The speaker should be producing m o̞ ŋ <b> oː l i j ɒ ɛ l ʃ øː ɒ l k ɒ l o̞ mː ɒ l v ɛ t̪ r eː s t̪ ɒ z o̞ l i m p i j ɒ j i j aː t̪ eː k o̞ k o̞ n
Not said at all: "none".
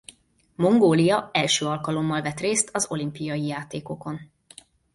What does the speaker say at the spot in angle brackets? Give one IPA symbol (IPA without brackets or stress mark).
ɡ